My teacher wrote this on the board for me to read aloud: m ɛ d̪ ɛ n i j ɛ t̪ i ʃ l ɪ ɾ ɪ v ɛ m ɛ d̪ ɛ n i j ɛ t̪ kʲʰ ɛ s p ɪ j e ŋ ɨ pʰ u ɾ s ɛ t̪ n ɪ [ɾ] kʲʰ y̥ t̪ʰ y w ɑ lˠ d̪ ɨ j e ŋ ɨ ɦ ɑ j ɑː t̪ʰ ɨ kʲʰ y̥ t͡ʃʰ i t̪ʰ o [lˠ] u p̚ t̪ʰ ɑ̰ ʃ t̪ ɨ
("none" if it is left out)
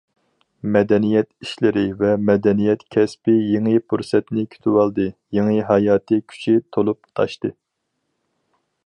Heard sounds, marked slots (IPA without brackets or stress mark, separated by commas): none, lˠ